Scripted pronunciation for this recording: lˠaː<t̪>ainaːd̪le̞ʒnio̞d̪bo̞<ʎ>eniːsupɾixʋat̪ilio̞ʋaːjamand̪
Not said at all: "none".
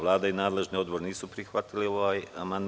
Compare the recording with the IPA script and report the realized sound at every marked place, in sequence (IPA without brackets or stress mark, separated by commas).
d̪, ɾ